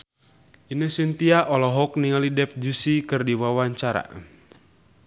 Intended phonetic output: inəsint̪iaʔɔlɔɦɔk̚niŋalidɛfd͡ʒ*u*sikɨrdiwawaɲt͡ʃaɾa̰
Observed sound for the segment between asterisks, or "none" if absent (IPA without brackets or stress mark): u